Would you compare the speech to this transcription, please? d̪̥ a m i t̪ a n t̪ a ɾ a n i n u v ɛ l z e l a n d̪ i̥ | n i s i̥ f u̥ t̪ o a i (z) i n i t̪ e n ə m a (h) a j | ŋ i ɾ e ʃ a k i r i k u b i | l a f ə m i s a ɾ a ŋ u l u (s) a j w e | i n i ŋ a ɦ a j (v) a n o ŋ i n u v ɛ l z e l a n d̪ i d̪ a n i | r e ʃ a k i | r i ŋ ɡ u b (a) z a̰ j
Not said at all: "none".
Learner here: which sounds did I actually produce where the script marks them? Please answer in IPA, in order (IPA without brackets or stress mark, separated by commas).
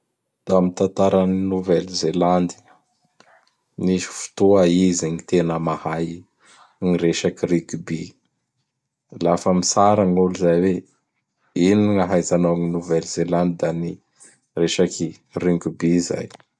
z, h, z, z, i